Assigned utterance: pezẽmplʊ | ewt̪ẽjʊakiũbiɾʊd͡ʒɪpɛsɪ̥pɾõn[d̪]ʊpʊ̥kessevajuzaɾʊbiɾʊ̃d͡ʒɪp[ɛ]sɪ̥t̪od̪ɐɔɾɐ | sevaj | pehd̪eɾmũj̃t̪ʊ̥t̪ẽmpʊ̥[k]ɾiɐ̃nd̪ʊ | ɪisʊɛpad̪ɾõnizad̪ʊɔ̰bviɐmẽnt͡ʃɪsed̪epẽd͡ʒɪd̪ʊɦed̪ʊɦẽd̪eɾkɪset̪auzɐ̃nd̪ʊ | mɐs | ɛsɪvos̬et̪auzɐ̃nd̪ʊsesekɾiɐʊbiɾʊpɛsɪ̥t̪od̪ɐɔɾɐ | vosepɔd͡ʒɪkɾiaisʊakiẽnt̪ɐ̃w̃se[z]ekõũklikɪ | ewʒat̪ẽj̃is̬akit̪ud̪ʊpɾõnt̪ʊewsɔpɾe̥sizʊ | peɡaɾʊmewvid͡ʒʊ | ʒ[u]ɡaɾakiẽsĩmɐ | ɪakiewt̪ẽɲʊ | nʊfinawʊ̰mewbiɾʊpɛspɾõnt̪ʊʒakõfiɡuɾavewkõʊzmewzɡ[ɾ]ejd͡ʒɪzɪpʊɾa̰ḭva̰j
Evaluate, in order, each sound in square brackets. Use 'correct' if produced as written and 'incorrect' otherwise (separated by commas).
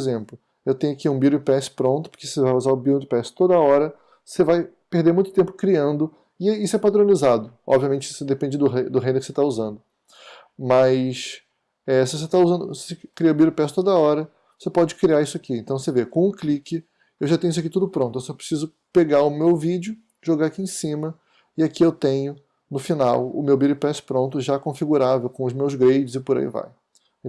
incorrect, correct, correct, incorrect, incorrect, correct